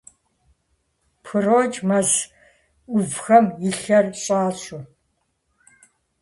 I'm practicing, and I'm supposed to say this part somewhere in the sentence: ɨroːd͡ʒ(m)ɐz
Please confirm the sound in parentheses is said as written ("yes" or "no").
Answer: yes